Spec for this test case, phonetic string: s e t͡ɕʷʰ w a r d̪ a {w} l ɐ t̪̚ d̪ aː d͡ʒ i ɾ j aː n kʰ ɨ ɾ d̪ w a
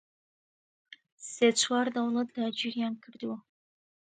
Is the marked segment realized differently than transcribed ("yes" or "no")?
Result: no